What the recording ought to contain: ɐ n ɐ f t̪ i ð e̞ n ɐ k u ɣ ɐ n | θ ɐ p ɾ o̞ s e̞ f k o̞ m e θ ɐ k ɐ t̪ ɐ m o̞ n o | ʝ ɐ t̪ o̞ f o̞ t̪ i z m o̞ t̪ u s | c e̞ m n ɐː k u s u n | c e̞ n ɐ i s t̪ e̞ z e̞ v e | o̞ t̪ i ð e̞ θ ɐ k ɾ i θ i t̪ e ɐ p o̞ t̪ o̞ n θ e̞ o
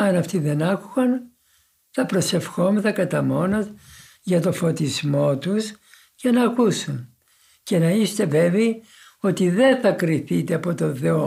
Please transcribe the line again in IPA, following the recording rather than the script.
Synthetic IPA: ɐ n ɐ f t̪ i ð e̞ n ɐ k u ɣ ɐ n | θ ɐ p ɾ o̞ s e̞ f x o̞ m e θ ɐ k ɐ t̪ ɐ m o̞ n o | ʝ ɐ t̪ o̞ f o̞ t̪ i z m o̞ t̪ u s | c e̞ n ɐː k u s u n | c e̞ n ɐ i s t̪ e̞ v e̞ v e | o̞ t̪ i ð e̞ θ ɐ k ɾ i θ i t̪ e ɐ p o̞ t̪ o̞ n θ e̞ o